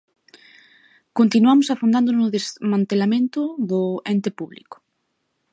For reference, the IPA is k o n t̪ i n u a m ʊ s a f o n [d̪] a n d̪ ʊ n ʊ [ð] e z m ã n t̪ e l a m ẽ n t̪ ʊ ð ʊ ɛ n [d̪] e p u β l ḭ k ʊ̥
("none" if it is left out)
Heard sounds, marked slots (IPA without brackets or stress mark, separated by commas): d̪, ð, t̪